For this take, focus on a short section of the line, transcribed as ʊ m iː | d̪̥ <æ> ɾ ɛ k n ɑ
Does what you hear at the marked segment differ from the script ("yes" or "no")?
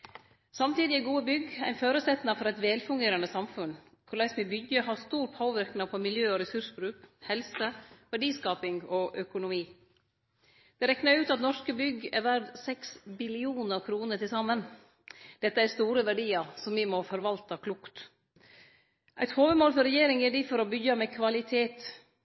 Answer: yes